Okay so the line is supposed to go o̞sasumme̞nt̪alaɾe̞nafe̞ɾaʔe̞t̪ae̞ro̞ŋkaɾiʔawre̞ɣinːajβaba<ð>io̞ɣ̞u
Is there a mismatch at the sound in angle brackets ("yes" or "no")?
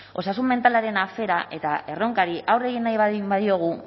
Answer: no